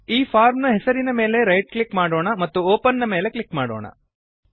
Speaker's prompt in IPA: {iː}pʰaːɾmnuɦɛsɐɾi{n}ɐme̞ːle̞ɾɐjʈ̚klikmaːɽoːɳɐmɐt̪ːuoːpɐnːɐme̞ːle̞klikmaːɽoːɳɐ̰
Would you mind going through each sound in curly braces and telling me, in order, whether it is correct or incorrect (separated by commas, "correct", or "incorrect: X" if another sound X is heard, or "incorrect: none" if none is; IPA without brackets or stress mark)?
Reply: correct, correct